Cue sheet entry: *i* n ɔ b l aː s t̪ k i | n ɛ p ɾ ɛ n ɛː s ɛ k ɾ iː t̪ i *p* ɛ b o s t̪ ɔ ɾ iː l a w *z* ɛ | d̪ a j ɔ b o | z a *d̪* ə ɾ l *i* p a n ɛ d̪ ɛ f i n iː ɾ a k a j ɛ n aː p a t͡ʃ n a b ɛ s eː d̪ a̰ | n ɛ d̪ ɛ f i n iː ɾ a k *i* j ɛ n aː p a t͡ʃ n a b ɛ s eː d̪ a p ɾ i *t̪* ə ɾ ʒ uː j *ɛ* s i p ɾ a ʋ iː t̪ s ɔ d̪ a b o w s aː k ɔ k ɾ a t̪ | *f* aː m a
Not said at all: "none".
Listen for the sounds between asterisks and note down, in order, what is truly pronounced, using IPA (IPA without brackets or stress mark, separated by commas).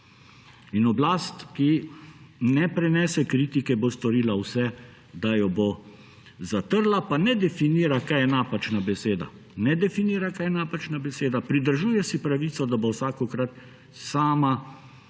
i, k, s, t̪, a, a, d̪, ɛ, s